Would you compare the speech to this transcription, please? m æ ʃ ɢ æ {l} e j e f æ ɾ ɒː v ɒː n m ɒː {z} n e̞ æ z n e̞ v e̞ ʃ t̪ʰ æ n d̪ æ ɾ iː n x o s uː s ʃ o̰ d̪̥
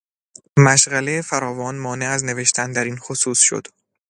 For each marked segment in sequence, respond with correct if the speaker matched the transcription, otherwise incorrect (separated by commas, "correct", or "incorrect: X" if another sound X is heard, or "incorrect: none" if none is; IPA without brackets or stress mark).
correct, incorrect: none